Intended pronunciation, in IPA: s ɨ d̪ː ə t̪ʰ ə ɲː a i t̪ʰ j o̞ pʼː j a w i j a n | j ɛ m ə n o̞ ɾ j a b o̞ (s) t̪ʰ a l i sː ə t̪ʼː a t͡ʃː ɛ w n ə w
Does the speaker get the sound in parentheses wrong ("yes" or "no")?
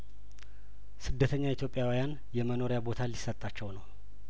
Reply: yes